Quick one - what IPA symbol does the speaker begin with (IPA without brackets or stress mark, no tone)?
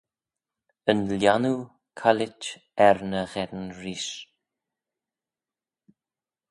ə